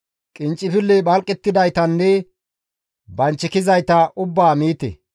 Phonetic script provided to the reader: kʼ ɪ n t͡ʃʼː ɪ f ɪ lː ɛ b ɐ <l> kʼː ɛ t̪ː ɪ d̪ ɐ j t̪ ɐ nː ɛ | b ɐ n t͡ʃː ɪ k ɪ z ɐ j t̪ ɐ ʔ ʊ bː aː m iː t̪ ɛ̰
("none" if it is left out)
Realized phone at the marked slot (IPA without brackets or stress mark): l